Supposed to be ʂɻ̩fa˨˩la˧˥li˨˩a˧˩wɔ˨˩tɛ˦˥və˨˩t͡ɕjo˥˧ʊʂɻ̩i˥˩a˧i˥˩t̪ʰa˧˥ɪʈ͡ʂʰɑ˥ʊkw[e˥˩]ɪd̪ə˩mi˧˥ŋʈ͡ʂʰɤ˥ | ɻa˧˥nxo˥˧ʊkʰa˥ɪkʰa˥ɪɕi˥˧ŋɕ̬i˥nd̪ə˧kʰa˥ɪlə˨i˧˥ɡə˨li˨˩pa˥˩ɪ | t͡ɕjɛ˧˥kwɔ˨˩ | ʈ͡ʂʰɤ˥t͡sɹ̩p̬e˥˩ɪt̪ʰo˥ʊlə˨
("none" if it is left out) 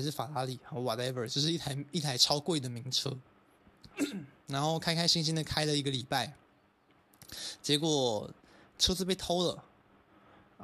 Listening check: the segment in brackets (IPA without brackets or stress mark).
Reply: e˥˩